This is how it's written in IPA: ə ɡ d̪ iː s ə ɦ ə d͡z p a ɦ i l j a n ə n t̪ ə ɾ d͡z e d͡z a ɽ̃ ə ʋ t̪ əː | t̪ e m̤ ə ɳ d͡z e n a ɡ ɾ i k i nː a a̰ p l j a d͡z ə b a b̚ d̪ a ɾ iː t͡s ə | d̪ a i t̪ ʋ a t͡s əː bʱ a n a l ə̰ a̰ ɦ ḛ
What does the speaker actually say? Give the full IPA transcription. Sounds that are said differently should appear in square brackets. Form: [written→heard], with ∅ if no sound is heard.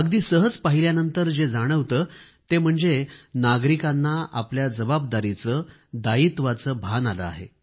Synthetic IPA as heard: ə ɡ d̪ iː s ə ɦ ə d͡z p a ɦ i l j a n ə n t̪ ə ɾ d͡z e d͡z a ɽ̃ ə ʋ t̪ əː | t̪ e m̤ ə ɳ d͡z e n a ɡ ɾ i k [i→a] nː a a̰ p l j a d͡z ə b a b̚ d̪ a ɾ [iː→i] t͡s ə | d̪ a i t̪ ʋ a t͡s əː bʱ a n a l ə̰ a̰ ɦ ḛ

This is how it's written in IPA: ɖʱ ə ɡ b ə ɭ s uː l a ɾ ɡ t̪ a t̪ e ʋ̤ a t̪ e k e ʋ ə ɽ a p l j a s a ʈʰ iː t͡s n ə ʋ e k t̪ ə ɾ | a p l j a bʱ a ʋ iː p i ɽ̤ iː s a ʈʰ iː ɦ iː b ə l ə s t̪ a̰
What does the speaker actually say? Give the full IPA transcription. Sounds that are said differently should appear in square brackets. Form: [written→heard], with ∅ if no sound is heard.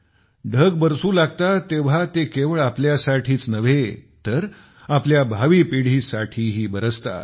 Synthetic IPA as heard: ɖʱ ə ɡ b ə [ɭ→ɾ] s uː l a [ɾ→∅] ɡ t̪ a t̪ e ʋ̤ a t̪ e k e ʋ ə [ɽ→ɭ] a p l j a s a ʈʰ iː t͡s n ə ʋ e [k→∅] t̪ ə ɾ | a p l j a bʱ a ʋ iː p i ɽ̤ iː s a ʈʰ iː ɦ iː b ə [l→ɾ] ə s t̪ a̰

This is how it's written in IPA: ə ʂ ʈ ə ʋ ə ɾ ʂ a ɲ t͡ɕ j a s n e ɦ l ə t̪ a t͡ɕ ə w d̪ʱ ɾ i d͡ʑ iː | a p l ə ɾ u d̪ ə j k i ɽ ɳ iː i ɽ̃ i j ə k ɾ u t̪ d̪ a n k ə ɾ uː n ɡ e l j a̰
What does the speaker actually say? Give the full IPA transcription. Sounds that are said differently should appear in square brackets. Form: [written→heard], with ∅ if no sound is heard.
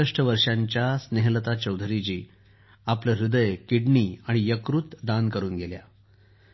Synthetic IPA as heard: ə ʂ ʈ ə ʋ ə ɾ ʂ a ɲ t͡ɕ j a s n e ɦ l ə t̪ a t͡ɕ ə w d̪ʱ ɾ i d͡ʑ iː | a p l ə ɾ u d̪ ə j k i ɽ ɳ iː [i→a] ɽ̃ i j ə k ɾ u t̪ d̪ a n k ə ɾ uː n ɡ e l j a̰

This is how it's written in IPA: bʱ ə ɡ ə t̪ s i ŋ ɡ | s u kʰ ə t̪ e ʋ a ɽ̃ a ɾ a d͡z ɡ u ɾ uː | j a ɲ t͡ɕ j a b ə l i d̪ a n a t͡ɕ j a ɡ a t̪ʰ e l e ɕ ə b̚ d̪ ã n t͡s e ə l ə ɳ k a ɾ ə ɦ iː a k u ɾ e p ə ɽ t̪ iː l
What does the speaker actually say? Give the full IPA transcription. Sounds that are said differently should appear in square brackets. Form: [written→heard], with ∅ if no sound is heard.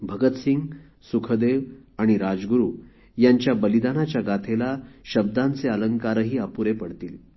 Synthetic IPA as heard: bʱ ə ɡ ə t̪ s i ŋ ɡ | s u kʰ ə [t̪→d̪] e ʋ a ɽ̃ [a→i] ɾ a d͡z ɡ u ɾ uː | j a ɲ t͡ɕ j a b ə l i d̪ a n a t͡ɕ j a ɡ a t̪ʰ e l [e→a] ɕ ə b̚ d̪ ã n t͡s e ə l ə [ɳ→ŋ] k a ɾ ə ɦ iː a [k→p] u ɾ e p ə ɽ t̪ iː l

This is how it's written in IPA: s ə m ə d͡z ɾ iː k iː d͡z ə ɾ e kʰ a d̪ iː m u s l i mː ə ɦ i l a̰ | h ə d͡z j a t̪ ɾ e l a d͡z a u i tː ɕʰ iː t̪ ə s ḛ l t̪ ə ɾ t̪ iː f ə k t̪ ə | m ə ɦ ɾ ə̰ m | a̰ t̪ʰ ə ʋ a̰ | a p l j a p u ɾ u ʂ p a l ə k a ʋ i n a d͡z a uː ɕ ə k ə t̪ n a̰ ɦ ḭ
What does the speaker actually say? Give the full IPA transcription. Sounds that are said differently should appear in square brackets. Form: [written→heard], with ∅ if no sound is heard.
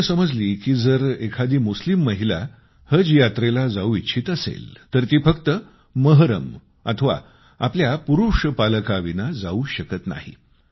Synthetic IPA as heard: s ə m ə d͡z [ɾ→l] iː k iː d͡z ə ɾ e kʰ a d̪ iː m u s l i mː ə ɦ i l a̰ | h ə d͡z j a t̪ ɾ e l a d͡z a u i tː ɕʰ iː t̪ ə s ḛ l t̪ ə ɾ t̪ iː f ə k t̪ ə | m ə ɦ ɾ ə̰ m | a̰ t̪ʰ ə ʋ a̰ | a p l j a p u ɾ u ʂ p a l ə k a ʋ i n a d͡z a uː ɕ ə k ə t̪ n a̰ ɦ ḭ

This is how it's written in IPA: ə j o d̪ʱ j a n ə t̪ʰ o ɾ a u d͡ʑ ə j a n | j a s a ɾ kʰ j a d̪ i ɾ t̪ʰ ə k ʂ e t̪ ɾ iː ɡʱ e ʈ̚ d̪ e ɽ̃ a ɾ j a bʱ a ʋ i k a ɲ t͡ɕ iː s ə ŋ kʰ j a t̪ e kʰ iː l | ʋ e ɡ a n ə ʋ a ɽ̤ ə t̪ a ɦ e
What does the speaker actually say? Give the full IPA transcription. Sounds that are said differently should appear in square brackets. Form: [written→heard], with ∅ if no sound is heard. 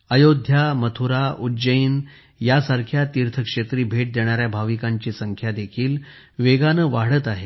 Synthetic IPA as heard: ə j o d̪ʱ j a [n→m] ə t̪ʰ [o→u] ɾ a u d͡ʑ ə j [a→i] n | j a s a ɾ kʰ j a [d̪→t̪] i ɾ t̪ʰ ə k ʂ e t̪ ɾ iː [ɡʱ→bʱ] e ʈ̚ d̪ e ɽ̃ a ɾ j a bʱ a ʋ i k a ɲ t͡ɕ iː s ə ŋ kʰ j a [t̪→d̪] e kʰ iː l | ʋ e ɡ a n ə ʋ a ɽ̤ ə t̪ a ɦ e

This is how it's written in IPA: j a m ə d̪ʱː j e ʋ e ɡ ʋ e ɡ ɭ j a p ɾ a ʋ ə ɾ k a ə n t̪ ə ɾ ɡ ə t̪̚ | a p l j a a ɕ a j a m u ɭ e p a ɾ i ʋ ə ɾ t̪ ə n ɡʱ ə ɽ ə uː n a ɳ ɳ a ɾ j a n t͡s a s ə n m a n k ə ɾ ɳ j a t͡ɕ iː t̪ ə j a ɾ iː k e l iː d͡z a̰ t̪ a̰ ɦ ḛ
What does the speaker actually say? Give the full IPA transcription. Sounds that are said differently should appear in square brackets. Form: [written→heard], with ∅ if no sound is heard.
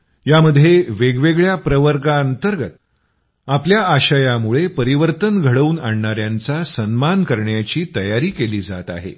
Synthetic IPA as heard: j a m ə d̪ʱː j e ʋ e ɡ ʋ e ɡ ɭ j a p ɾ [a→ə] ʋ ə ɾ k a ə n t̪ ə ɾ ɡ ə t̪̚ | a p l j a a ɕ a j a m u ɭ e p [a→ə] ɾ i ʋ ə ɾ t̪ ə n ɡʱ ə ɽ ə uː n a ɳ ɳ a ɾ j a n t͡s a s ə n m a n k ə ɾ ɳ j a t͡ɕ iː t̪ ə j a ɾ iː k e l iː d͡z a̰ t̪ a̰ ɦ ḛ

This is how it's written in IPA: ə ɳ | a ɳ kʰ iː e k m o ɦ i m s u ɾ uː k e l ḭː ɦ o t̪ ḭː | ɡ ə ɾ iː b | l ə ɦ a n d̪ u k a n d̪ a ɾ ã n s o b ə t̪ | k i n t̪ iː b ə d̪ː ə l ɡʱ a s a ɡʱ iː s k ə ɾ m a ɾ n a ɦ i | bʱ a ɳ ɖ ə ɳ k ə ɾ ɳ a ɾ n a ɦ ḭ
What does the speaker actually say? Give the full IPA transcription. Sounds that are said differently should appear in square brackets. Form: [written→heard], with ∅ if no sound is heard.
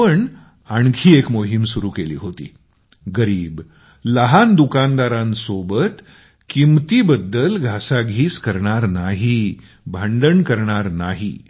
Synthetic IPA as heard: ə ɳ | a ɳ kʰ iː e k m o ɦ i m s u ɾ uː k e l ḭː ɦ o t̪ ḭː | ɡ ə ɾ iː b | l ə ɦ a n d̪ u k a n d̪ a ɾ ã n s o b ə t̪ | k i [n→m] t̪ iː b ə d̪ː ə l ɡʱ a s a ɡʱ iː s k ə ɾ [m→ɳ] a ɾ n a ɦ i | bʱ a ɳ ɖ ə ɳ k ə ɾ ɳ a ɾ n a ɦ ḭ

